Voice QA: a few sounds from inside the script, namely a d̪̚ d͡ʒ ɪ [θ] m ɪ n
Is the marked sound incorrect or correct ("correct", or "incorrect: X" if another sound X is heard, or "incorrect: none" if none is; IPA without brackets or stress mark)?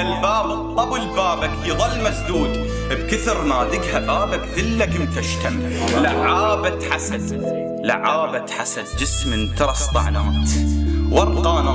incorrect: s